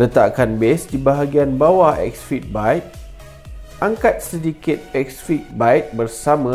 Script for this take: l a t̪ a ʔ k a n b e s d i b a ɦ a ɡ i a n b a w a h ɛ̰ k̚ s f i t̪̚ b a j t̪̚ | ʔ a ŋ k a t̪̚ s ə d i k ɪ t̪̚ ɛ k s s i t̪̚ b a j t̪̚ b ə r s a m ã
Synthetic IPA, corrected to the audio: l ə t̪ a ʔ k a n b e s d i b a ɦ a ɡ i a n b a w a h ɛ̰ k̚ s f i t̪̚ b a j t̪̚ | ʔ a ŋ k a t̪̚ s ə d i k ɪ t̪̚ ɛ k s f i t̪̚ b a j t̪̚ b ə r s a m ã